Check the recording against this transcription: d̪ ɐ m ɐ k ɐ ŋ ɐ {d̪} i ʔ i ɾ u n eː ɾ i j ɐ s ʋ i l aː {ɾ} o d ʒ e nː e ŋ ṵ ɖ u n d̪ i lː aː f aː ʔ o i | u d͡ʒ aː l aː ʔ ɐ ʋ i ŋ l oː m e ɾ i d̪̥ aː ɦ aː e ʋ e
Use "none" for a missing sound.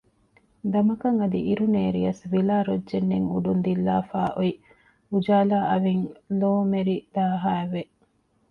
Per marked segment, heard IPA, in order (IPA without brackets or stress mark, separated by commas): d̪, ɾ